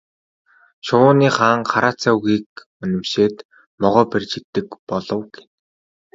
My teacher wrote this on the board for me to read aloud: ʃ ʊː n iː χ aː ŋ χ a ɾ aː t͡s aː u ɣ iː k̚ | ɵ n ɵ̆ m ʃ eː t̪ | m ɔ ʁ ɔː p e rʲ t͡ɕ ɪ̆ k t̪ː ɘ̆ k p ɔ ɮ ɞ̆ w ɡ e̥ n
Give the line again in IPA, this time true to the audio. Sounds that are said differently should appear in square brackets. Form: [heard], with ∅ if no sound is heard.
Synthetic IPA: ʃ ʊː n iː χ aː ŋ χ a ɾ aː t͡s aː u ɣ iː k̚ | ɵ n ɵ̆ m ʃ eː t̪ | m ɔ ʁ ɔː p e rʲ t͡ɕ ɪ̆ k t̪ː ɘ̆ k p ɔ ɮ ɞ̆ w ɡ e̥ n